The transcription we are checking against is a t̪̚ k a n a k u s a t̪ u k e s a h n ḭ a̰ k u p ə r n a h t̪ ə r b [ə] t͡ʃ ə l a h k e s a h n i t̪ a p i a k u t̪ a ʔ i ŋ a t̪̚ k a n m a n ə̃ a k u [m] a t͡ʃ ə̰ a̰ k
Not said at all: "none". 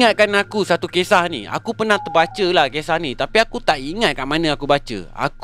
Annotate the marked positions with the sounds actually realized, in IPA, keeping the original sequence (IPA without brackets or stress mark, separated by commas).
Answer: a, b